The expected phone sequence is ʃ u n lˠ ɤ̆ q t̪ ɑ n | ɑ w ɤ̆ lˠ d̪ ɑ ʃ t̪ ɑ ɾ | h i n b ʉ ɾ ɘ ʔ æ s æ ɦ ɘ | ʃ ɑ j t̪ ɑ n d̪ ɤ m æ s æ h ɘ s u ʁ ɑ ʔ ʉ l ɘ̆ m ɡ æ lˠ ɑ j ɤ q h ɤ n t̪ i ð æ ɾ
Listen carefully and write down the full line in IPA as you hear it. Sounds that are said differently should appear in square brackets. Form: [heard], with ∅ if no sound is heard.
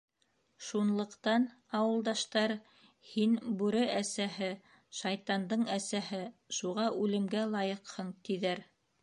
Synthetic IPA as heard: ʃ u n lˠ ɤ̆ q t̪ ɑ n | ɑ w ɤ̆ lˠ d̪ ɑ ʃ t̪ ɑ ɾ | h i n b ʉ ɾ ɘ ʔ æ s æ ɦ ɘ | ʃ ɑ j t̪ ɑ n d̪ ɤ [ɴ] æ s æ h ɘ [ʃ] u ʁ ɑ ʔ ʉ l ɘ̆ m ɡ æ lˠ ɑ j ɤ q h ɤ [ɴ] t̪ i ð æ ɾ